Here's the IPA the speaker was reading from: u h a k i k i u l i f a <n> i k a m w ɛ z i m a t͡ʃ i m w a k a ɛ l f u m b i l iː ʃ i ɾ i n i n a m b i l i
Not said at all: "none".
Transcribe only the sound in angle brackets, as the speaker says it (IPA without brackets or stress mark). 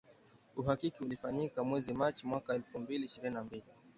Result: ɲ